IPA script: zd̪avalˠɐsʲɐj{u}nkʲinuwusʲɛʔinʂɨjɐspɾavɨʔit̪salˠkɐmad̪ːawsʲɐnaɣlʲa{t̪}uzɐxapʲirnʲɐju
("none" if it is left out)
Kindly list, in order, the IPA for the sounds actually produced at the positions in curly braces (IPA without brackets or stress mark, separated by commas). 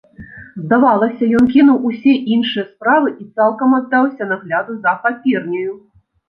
ɔ, d̪